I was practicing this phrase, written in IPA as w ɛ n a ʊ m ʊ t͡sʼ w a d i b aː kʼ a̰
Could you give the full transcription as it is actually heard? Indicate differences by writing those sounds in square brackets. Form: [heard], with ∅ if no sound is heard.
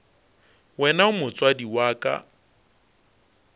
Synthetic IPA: w ɛ n a ʊ m ʊ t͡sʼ w a d i [w] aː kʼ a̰